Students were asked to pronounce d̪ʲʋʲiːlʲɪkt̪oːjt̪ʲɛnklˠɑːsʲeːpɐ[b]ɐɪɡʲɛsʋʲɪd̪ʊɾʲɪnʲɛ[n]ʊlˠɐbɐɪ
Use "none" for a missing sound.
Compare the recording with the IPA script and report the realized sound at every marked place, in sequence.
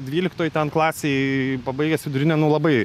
b, n

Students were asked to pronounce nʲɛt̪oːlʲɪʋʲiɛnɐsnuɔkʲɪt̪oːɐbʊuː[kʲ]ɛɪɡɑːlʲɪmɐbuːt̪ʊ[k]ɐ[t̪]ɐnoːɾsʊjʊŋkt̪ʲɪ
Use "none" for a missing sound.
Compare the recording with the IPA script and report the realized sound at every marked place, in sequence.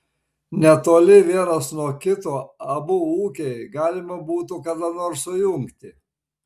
kʲ, k, d̪

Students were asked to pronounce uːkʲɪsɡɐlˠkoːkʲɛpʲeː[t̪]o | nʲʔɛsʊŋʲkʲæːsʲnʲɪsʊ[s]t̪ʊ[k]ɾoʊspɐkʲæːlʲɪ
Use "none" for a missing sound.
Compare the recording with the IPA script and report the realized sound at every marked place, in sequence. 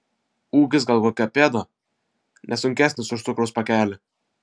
d̪, ʃ, k

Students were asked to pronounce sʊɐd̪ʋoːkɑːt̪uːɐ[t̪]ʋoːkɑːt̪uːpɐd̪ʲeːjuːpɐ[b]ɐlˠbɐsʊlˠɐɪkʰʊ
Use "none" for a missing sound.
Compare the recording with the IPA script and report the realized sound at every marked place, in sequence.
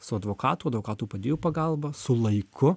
d̪, ɡ

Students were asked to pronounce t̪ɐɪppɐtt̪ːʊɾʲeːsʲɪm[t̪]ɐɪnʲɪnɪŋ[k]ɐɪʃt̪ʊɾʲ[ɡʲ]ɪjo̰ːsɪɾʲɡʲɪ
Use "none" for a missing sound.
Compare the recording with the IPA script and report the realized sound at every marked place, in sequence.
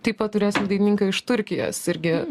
d̪, k, kʲ

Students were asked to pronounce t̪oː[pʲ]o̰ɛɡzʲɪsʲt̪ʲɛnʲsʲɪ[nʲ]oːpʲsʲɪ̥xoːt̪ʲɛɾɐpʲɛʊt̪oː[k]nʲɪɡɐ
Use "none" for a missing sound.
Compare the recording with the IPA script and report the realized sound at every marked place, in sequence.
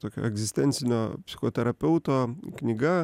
kʲ, nʲ, k

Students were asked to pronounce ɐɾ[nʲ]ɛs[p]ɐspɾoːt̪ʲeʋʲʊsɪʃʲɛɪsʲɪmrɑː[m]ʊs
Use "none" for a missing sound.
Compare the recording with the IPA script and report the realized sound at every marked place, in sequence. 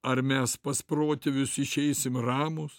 mʲ, p, m

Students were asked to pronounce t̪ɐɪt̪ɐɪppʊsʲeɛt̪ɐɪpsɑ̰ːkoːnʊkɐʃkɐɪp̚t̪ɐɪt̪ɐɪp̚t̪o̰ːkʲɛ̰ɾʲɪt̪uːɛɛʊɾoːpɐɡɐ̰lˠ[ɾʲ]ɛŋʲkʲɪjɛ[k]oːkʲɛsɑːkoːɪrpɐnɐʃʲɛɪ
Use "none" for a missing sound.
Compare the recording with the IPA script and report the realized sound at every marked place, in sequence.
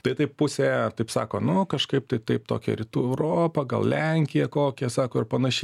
lʲ, k

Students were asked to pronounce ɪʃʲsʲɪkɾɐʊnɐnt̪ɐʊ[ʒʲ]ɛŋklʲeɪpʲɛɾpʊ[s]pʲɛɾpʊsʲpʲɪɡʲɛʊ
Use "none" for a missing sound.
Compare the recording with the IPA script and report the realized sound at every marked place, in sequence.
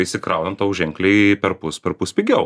ʒʲ, s

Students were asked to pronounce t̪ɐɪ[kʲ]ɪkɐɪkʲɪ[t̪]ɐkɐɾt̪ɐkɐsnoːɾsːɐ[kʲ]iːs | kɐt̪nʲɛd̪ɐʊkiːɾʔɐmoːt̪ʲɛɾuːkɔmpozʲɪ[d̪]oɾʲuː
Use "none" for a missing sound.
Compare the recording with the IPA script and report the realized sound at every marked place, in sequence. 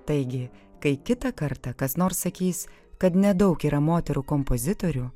ɡʲ, t̪, kʲ, t̪

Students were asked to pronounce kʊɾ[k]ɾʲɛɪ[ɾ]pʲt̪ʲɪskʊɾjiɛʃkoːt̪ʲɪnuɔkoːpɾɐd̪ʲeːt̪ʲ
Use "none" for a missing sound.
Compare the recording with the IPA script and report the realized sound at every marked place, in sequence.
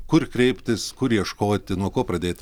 k, none

